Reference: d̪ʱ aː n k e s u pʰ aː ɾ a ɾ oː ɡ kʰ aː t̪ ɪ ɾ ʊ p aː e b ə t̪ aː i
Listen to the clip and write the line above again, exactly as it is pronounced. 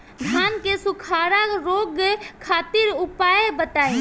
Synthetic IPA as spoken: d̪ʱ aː n k e s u kʰ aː ɾ a ɾ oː ɡ kʰ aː t̪ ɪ ɾ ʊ p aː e b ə t̪ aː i